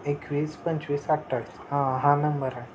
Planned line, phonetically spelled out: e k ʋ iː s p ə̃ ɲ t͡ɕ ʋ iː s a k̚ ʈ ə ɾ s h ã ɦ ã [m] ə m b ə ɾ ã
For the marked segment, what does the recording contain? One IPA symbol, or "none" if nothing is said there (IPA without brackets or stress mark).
n